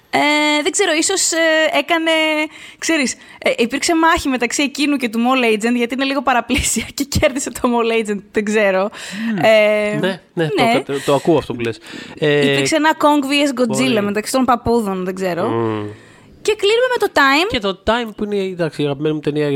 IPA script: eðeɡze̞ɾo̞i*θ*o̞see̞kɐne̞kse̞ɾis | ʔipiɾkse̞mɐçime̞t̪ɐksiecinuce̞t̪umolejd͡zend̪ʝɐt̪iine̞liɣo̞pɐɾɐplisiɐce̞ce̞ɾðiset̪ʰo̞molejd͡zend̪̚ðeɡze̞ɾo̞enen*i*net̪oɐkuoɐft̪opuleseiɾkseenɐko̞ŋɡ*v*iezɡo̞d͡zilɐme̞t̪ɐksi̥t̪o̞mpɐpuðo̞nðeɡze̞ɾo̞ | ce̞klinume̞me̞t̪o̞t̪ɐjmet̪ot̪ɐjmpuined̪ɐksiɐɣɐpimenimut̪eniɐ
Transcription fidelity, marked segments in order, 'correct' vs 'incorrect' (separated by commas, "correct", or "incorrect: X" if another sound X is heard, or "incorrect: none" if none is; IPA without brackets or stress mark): incorrect: s, incorrect: e, correct